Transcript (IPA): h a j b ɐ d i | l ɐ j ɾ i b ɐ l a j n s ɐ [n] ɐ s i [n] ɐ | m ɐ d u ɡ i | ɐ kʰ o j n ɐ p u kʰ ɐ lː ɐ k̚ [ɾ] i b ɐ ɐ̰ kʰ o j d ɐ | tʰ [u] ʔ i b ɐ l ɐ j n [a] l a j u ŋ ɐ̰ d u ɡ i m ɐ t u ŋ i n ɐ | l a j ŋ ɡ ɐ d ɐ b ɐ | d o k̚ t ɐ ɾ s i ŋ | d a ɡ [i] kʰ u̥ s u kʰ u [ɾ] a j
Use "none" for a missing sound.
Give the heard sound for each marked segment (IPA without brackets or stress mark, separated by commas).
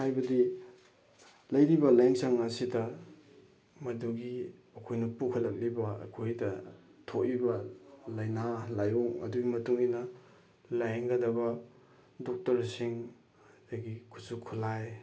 ŋ, d, l, o, a, i, l